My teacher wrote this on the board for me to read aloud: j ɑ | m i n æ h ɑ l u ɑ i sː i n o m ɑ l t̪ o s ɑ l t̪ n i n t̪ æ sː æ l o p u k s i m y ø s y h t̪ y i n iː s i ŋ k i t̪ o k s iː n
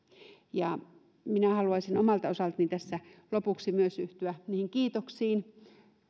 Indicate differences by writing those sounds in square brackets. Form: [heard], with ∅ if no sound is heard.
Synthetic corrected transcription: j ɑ | m i n æ h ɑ l u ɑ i [s] i n o m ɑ l t̪ o s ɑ l t̪ n i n t̪ æ sː æ l o p u k s i m y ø s y h t̪ y [æ] n iː [h] i ŋ k [iː] t̪ o k s iː n